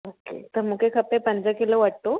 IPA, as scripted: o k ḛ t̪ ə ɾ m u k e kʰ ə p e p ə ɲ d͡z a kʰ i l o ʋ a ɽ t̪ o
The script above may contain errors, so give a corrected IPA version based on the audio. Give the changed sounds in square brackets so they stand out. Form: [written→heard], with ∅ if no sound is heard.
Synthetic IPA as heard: o k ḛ t̪ ə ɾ m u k e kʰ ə p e p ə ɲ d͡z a [kʰ→k] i l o ʋ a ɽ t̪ o